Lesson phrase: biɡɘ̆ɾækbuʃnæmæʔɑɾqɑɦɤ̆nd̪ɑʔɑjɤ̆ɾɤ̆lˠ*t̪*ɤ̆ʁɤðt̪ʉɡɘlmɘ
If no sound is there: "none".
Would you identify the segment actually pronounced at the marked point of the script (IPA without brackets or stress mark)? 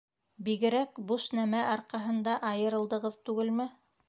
d̪